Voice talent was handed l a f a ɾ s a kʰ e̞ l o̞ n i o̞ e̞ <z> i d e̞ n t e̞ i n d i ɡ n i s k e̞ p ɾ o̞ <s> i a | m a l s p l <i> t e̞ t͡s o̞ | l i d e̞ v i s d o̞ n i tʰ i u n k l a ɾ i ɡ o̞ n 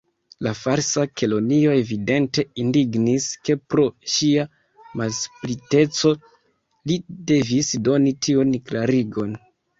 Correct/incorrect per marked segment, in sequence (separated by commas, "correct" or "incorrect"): incorrect, incorrect, correct